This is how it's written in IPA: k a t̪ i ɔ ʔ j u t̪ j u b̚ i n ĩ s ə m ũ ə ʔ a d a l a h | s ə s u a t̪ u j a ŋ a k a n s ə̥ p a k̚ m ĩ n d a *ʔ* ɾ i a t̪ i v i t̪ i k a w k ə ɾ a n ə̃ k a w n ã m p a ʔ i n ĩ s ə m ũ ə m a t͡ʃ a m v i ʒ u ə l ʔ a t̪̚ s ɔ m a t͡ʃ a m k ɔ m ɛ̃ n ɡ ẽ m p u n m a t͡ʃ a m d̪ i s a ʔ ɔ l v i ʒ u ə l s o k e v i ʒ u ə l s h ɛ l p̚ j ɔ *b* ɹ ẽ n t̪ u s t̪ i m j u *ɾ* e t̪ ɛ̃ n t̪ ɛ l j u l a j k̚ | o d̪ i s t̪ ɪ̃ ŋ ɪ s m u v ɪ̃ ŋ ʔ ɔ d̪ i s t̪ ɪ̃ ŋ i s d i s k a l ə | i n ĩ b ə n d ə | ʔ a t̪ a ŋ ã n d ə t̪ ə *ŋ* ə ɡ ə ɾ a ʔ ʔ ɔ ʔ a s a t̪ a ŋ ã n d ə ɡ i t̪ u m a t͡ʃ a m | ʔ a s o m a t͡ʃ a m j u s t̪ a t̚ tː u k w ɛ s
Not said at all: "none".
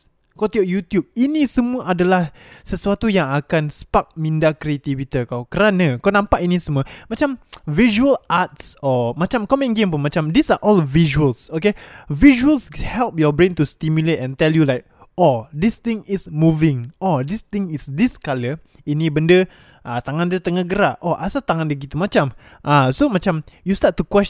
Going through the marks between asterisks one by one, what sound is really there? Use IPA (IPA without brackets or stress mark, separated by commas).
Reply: k, b, l, ŋ